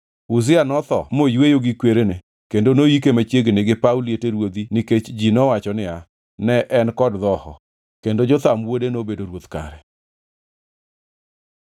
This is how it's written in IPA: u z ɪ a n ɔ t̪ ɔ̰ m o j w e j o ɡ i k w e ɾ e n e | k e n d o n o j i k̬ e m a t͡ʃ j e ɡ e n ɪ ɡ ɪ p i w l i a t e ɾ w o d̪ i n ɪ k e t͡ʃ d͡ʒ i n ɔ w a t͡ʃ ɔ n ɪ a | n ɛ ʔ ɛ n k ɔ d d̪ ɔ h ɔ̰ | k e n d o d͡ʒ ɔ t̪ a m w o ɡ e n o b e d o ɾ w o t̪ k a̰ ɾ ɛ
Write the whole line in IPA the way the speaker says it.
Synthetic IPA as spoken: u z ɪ a n ɔ t̪ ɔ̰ m o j w e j o ɡ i k w e ɾ e n e | k e n d o n o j i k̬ e m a t͡ʃ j e ɡ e n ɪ ɡ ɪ p a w l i e t e ɾ w o d̪ i n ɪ k e t͡ʃ d͡ʒ i n ɔ w a t͡ʃ ɔ n ɪ a | n ɛ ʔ ɛ n k ɔ d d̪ ɔ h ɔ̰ | k e n d o d͡ʒ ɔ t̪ a m w o d e n o b e d o ɾ w o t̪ k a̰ ɾ ɛ